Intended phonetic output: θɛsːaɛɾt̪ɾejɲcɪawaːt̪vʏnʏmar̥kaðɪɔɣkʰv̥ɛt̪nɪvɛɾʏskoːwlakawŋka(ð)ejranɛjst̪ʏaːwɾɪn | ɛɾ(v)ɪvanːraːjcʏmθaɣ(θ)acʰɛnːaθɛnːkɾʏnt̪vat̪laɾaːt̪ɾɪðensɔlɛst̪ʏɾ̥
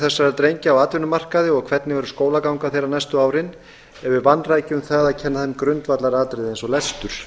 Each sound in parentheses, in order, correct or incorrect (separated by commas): incorrect, correct, incorrect